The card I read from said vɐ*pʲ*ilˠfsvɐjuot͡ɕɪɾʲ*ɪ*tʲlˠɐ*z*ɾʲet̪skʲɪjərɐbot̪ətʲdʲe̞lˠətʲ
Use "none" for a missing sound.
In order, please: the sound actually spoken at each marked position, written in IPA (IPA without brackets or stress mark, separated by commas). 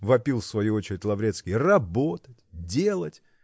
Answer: pʲ, ɪ, v